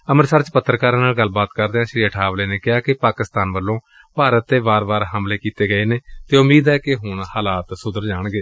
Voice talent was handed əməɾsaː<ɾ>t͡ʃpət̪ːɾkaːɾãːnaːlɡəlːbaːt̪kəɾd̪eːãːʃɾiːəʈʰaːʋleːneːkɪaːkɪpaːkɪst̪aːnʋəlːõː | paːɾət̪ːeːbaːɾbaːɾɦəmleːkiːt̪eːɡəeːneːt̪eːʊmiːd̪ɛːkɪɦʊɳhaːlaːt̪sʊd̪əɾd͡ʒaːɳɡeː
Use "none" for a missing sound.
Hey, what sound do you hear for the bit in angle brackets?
ɾ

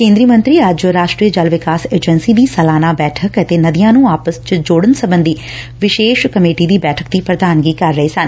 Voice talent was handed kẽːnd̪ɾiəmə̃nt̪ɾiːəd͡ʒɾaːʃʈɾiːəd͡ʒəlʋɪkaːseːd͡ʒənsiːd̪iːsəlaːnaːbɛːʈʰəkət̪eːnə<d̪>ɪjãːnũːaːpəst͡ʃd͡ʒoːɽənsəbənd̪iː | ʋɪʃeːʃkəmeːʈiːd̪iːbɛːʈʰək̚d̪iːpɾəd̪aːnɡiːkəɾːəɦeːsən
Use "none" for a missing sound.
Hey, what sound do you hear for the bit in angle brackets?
d̪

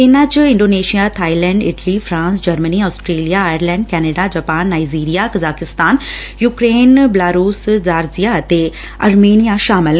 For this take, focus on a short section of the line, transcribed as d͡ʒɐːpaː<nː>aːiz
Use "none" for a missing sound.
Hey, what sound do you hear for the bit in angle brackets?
nː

